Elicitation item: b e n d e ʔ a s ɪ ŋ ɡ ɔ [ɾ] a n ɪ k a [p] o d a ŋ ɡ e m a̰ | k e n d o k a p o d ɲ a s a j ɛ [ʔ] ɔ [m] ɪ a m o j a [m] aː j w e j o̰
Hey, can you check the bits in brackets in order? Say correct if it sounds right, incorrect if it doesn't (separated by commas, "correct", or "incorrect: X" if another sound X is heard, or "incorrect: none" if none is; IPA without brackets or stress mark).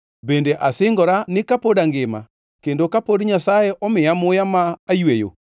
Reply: correct, correct, correct, correct, correct